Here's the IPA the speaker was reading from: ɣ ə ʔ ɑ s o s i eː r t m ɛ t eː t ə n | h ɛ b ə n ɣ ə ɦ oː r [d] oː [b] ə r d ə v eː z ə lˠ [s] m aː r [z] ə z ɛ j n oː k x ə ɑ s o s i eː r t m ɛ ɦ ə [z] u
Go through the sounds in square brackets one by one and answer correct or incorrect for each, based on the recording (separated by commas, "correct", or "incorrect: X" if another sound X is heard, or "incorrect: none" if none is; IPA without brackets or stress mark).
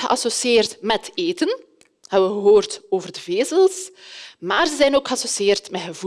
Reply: incorrect: t, incorrect: v, correct, correct, incorrect: v